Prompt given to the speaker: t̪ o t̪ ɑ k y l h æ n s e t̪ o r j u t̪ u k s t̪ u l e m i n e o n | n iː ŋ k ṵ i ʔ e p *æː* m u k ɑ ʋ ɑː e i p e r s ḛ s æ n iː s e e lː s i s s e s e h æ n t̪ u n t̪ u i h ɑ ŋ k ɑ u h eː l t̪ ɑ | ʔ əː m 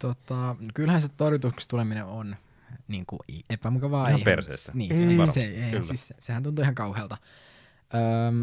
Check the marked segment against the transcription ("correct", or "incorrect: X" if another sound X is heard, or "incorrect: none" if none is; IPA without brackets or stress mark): incorrect: æ